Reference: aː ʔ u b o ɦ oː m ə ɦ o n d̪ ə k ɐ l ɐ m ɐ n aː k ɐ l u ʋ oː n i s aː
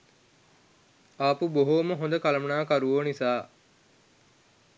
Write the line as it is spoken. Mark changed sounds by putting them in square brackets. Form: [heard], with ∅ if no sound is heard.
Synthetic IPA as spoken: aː [p] u b o ɦ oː m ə ɦ o n d̪ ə k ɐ l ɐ m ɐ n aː k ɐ [ɾ] u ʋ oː n i s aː

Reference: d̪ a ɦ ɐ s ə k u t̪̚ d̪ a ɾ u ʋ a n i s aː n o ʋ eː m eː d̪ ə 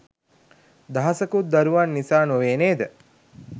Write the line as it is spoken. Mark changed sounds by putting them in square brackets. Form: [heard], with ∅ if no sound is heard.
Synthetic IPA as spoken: d̪ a ɦ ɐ s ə k u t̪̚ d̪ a ɾ u ʋ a [nː] i s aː n o ʋ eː [n] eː d̪ ə

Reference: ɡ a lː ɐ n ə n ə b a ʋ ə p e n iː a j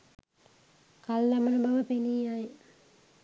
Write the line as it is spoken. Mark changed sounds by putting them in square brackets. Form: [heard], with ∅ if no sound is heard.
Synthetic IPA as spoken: [k] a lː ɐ [m] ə n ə b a ʋ ə p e n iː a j

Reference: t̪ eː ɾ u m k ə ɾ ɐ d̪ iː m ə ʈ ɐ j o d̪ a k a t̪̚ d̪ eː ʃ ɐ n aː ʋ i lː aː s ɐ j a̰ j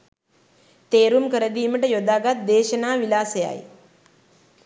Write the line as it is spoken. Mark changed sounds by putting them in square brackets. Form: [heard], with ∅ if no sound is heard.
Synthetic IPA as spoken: t̪ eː ɾ u m k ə ɾ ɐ d̪ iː m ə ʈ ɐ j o d̪ a [ɡ] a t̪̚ d̪ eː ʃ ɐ n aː ʋ i [l] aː s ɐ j a̰ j

